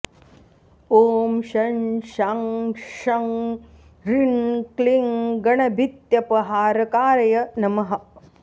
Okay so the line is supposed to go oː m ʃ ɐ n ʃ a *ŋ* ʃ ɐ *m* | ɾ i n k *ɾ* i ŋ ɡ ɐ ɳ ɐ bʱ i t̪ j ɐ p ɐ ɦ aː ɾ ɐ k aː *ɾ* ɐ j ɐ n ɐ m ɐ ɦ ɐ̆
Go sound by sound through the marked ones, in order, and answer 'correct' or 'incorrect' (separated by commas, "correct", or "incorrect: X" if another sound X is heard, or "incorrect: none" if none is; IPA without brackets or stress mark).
correct, incorrect: ŋ, incorrect: l, correct